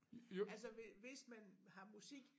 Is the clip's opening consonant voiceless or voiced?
voiced